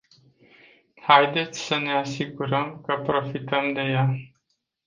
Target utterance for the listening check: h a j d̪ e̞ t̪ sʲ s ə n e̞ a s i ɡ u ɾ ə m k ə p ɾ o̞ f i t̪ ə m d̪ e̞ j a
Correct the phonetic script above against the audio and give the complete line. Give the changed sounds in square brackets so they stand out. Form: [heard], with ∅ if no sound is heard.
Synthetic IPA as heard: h a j d̪ e̞ t̪ sʲ s ə n e̞ a s i ɡ u ɾ ə m k ə p ɾ o̞ f i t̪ ə m d̪ e̞ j a